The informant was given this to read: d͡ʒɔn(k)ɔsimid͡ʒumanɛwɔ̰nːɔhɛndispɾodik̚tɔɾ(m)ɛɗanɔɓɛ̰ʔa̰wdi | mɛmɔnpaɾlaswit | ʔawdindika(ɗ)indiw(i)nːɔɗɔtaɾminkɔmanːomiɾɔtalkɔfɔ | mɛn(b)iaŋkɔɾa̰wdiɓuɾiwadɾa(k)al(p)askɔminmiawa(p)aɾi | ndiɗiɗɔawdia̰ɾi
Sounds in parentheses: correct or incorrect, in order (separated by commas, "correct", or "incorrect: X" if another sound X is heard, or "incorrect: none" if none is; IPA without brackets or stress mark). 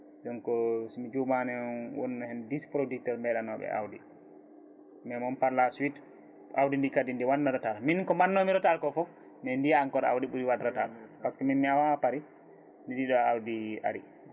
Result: correct, correct, incorrect: d, incorrect: a, incorrect: d, incorrect: t, correct, correct